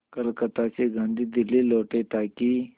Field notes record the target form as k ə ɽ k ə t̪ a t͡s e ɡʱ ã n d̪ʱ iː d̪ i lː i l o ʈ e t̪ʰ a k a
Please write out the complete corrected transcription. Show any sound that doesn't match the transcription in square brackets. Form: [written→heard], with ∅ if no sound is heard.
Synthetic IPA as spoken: k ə [ɽ→l] k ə t̪ a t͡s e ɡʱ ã n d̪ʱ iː d̪ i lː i l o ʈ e [t̪ʰ→t̪] a k [a→i]